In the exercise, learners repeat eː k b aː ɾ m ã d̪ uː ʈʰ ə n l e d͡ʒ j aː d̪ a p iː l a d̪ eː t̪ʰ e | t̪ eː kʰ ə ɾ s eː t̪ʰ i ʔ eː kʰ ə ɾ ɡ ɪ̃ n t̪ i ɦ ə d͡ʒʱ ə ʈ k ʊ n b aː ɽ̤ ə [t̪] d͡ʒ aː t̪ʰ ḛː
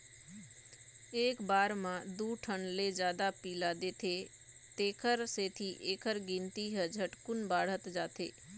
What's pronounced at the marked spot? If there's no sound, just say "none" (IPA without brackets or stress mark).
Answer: t̪